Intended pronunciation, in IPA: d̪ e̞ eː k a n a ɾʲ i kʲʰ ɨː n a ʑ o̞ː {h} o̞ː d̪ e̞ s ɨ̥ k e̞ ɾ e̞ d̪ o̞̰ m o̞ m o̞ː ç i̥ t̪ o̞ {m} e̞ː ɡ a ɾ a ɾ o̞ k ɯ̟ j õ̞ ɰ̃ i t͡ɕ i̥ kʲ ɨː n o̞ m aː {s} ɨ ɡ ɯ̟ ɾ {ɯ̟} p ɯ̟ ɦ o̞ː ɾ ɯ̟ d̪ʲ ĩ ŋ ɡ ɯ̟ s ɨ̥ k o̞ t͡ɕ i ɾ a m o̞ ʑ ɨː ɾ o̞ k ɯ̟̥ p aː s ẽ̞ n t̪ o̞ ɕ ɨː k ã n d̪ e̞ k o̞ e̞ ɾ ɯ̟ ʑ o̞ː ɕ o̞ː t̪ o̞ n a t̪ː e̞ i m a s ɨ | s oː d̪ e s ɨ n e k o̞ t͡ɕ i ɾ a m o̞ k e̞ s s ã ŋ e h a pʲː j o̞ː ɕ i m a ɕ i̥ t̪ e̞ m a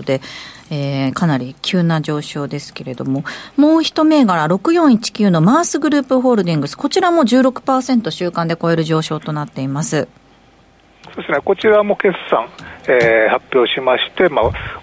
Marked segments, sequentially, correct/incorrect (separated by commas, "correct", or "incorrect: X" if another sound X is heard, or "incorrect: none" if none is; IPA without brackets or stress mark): incorrect: ɕ, correct, correct, incorrect: ɯ̟ː